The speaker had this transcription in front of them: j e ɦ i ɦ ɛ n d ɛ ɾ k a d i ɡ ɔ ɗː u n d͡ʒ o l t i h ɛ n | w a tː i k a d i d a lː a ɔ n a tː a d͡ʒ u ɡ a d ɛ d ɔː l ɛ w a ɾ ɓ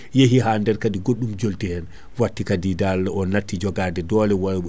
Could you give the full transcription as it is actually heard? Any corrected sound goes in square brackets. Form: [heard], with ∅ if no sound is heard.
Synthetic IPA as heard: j e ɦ i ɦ [a] n d ɛ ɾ k a d i ɡ [o] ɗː u [m] d͡ʒ o l t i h ɛ n | w a tː i k a d i d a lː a ɔ n a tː [i] d͡ʒ [ɔ] ɡ a d ɛ d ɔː l ɛ w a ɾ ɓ